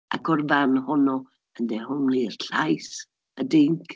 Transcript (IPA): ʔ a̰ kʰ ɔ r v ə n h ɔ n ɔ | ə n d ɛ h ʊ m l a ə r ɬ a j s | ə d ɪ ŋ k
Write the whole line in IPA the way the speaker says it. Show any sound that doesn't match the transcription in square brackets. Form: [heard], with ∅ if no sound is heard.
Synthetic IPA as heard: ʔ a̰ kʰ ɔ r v [a] n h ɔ n ɔ | ə n d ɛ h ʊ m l [i] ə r ɬ a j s | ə d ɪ ŋ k